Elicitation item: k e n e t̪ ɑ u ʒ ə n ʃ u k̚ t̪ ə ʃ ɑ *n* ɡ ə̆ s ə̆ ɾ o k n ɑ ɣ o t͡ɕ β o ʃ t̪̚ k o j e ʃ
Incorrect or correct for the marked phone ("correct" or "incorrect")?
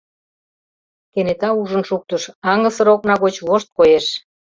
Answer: incorrect